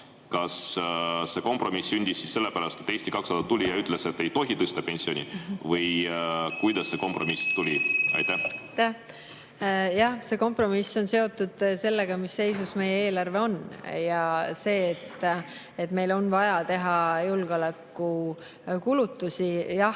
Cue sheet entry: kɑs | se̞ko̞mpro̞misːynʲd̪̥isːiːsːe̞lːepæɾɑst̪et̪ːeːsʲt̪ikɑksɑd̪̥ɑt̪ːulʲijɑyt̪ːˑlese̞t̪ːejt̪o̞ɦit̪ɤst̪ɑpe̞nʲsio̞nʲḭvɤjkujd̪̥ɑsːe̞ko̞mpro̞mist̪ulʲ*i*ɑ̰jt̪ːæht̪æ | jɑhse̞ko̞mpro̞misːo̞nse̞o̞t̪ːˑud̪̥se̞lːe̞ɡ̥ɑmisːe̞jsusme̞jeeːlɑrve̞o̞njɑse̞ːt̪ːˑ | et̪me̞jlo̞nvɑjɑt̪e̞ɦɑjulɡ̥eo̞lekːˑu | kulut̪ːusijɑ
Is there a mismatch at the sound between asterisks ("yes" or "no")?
no